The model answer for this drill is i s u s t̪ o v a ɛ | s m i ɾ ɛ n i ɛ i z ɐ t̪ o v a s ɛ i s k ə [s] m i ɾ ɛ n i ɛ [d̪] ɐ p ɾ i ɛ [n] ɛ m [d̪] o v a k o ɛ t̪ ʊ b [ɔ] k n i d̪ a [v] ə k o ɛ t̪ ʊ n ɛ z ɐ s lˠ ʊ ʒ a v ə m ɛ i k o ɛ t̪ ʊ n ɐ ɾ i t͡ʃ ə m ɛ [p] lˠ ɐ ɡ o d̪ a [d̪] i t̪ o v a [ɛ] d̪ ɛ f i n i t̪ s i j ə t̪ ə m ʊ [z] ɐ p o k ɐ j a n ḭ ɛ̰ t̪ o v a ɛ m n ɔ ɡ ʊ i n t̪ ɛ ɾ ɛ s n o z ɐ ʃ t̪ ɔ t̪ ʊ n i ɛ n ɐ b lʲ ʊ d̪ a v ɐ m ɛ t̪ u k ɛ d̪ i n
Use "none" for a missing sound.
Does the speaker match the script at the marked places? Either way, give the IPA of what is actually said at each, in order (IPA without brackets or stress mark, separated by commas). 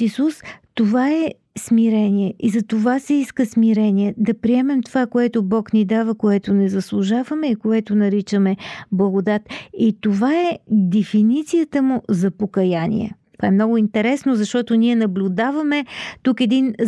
s, d̪, m, t̪, ɔ, v, b, t̪, ɛ, z